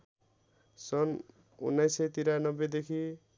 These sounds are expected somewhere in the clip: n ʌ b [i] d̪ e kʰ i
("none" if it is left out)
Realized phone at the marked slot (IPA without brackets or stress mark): e